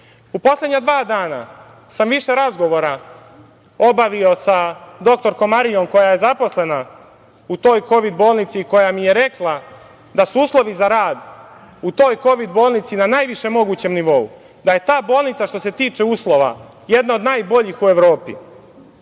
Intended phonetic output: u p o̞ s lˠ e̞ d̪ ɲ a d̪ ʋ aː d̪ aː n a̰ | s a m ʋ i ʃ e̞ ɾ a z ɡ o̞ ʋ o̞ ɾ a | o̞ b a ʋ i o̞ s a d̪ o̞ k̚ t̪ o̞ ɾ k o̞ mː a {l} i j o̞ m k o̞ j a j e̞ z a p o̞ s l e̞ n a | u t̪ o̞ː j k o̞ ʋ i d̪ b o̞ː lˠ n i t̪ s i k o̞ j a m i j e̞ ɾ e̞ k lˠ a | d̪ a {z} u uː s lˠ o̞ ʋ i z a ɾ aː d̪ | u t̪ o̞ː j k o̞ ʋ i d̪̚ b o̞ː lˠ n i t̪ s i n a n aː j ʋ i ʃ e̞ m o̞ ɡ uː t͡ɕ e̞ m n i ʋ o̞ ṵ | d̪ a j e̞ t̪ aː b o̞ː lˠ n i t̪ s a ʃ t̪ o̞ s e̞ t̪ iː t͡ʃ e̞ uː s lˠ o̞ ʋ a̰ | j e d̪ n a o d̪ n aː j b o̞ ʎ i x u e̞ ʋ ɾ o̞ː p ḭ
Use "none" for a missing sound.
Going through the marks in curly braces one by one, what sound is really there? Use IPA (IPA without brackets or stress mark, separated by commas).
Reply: ɾ, s